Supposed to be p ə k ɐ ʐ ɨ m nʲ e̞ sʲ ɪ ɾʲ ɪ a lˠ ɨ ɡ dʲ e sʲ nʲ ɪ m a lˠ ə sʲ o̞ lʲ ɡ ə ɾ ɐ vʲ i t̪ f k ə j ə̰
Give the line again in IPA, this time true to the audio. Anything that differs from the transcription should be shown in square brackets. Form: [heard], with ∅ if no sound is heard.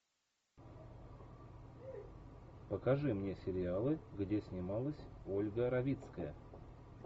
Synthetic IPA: p ə k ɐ ʐ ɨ m nʲ e̞ sʲ ɪ ɾʲ ɪ a lˠ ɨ ɡ dʲ e sʲ nʲ ɪ m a lˠ ə sʲ o̞ lʲ ɡ ə ɾ ɐ vʲ i t̪ [s] k ə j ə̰